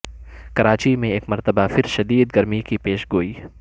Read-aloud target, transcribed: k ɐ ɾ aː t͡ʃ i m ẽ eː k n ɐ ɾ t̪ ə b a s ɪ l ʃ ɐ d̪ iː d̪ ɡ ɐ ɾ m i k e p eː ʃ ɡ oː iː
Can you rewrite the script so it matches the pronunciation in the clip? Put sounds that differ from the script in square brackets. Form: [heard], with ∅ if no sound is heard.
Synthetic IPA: k ɐ ɾ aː t͡ʃ i m ẽ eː k [m] ɐ ɾ t̪ ə b a [f] ɪ [ɾ] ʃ ɐ d̪ iː d̪ ɡ ɐ ɾ m i k [i] p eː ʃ ɡ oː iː